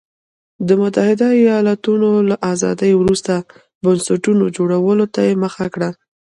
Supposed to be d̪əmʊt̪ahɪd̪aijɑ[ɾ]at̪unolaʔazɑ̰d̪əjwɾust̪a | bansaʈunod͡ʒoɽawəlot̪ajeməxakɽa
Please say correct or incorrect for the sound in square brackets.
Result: incorrect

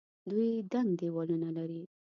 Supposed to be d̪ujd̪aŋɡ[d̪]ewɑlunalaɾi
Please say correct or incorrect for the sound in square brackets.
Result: correct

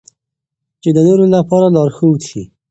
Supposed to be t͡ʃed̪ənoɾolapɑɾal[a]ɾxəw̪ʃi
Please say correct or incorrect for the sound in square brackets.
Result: incorrect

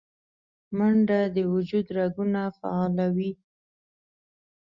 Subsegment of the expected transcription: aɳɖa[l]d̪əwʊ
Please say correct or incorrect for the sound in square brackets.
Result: incorrect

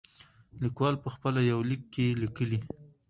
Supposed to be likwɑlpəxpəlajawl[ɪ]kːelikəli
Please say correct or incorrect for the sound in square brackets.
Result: incorrect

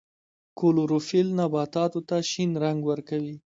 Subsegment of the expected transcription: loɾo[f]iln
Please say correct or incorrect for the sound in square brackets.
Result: correct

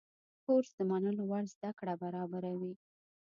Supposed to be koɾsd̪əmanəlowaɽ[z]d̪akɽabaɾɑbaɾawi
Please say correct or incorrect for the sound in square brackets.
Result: correct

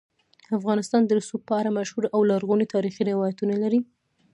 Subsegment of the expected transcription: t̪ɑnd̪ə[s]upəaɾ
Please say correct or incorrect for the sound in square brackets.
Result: correct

